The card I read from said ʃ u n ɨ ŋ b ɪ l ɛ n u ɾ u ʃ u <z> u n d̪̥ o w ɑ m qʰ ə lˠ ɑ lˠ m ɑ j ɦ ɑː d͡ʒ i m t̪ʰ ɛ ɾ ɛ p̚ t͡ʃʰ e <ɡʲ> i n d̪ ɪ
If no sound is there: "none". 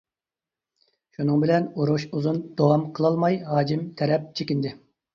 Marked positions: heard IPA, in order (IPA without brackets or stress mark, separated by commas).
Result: z, kʲ